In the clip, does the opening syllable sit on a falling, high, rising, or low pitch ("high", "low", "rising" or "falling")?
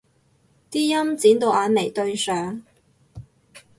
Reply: high